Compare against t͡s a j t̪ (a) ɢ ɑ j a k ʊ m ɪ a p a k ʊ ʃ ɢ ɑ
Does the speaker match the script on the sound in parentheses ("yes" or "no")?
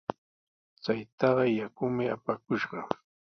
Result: no